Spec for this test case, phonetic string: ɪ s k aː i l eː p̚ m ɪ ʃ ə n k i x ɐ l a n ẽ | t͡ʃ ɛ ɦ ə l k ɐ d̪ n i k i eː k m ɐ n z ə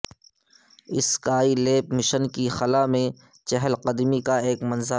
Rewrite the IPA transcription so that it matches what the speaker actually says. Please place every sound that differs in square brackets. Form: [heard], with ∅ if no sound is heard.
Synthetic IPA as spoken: ɪ s k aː i l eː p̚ m ɪ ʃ ə n k i x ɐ l a [m] ẽ | t͡ʃ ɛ ɦ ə l [q] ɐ d̪ [m] i k [a] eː k m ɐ n z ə